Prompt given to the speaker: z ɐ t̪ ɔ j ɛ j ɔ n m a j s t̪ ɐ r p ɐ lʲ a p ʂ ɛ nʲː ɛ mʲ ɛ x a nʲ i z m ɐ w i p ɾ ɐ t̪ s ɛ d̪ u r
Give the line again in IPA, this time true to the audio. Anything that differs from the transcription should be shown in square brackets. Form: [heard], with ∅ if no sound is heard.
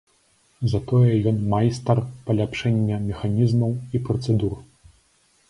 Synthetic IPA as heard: z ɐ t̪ ɔ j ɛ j ɔ n m a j s t̪ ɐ r p ɐ lʲ a p ʂ ɛ nʲː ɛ mʲ ɛ x a nʲ i z m ɐ w i p ɾ ɐ t̪ s ɛ d̪ u r